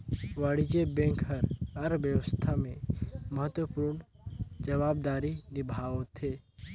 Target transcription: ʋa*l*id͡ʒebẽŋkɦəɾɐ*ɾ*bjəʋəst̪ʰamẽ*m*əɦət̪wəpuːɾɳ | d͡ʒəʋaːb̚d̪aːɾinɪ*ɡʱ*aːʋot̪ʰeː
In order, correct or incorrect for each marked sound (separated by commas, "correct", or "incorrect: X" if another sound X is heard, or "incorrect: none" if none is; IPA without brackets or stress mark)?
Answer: incorrect: ɽ, correct, correct, incorrect: bʱ